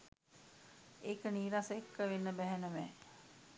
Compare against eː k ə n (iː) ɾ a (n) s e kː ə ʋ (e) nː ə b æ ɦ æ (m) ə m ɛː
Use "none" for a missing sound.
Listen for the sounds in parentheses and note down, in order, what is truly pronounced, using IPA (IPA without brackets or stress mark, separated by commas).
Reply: iː, none, e, n